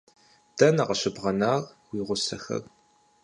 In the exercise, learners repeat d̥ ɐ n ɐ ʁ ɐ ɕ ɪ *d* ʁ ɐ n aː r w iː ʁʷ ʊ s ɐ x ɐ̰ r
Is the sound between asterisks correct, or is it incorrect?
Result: incorrect